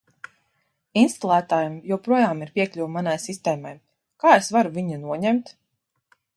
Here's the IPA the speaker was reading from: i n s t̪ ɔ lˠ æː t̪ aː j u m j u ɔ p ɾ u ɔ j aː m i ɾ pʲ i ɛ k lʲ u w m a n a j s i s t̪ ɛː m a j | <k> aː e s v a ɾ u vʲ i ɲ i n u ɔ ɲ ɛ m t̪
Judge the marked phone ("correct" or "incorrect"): correct